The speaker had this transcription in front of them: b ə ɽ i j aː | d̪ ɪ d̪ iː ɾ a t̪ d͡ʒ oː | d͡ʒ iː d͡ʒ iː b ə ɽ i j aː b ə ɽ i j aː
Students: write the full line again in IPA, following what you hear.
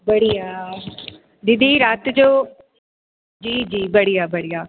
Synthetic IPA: b ə ɽ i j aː | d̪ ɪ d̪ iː ɾ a t̪ d͡ʒ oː | d͡ʒ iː d͡ʒ iː b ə ɽ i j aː b ə ɽ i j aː